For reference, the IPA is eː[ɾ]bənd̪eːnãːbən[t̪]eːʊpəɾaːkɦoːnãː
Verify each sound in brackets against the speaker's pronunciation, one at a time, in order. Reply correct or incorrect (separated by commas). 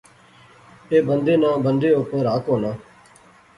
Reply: incorrect, incorrect